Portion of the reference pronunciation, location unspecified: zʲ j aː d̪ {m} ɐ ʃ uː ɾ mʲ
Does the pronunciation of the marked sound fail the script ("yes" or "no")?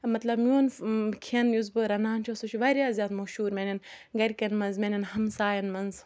no